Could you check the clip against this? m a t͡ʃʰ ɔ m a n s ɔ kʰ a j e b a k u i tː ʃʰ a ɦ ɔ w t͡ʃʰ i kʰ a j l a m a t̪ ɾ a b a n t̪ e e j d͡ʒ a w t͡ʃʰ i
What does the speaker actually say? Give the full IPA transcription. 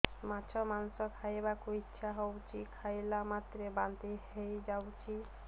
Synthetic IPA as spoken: m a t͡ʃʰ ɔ m a n s ɔ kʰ a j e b a k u i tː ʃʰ a ɦ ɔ w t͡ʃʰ i kʰ a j l a m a t̪ ɾ e b a n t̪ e e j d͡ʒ a w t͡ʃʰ i